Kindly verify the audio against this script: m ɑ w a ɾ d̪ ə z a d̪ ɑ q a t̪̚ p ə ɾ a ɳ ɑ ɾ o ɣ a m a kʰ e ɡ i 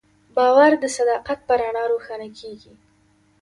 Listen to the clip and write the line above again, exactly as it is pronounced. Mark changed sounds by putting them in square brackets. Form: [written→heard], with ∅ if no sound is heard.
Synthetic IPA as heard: [m→b] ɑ w a ɾ d̪ ə [z→s] a d̪ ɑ q a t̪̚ p ə ɾ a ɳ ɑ ɾ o [ɣ→x] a [m→n] a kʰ e ɡ i